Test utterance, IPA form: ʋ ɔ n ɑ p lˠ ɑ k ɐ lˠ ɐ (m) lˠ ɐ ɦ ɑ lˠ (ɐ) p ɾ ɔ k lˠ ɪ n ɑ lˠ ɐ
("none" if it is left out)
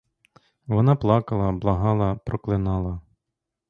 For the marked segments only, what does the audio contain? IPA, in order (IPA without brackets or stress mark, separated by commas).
b, ɐ